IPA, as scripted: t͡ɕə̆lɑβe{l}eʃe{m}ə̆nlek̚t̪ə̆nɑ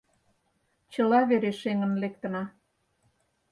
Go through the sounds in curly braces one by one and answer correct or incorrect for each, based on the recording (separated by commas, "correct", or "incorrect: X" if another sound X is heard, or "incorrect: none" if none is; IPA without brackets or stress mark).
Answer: incorrect: ɾ, incorrect: ŋ